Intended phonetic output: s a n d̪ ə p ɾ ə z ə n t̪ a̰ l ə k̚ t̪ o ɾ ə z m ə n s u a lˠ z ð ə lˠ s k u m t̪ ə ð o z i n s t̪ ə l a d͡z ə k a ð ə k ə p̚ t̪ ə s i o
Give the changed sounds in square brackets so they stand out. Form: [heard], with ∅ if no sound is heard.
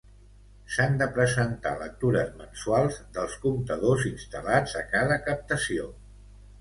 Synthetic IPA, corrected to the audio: s a n d̪ ə p ɾ ə z ə n t̪ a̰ l ə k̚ t̪ [u] ɾ ə z m ə n s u a lˠ z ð ə lˠ s k u m t̪ ə ð o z i n s t̪ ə l a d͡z ə k a ð ə k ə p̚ t̪ ə s i o